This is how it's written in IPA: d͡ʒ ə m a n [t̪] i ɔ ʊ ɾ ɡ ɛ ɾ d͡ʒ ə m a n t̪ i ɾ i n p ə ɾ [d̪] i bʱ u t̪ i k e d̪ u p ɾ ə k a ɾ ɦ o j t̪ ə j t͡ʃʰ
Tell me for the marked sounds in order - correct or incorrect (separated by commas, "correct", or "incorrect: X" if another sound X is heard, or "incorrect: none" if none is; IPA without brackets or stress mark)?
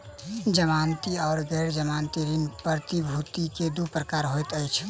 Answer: correct, incorrect: t̪